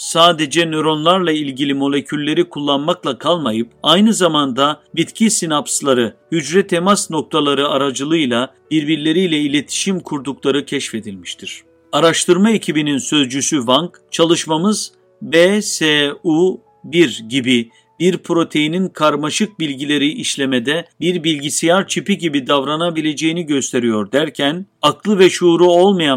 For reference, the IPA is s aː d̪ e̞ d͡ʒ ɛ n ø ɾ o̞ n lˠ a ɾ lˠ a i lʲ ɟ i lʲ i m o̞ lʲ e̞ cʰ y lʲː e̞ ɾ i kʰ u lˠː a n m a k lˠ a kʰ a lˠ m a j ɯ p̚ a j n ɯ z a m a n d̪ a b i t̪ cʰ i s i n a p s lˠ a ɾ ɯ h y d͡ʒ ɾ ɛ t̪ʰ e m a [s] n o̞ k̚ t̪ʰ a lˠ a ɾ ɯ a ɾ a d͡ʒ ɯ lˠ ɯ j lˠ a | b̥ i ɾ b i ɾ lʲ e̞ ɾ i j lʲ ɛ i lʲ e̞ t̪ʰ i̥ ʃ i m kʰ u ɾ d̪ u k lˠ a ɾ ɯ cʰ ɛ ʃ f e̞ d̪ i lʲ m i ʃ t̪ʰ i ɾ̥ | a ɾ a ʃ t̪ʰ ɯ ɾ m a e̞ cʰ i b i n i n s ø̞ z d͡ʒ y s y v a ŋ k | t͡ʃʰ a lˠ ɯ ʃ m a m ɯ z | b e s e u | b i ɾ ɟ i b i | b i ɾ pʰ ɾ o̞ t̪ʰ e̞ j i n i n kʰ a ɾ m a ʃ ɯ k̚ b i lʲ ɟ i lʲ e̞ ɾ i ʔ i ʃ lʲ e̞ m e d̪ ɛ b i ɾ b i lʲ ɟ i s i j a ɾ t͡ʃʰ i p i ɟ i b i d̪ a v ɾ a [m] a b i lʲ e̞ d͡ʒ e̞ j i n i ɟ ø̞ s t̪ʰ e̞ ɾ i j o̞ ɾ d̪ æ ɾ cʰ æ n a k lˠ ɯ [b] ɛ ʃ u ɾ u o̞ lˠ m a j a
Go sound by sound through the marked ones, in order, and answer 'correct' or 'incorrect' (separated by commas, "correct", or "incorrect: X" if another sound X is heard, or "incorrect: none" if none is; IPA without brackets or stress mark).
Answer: correct, incorrect: n, incorrect: v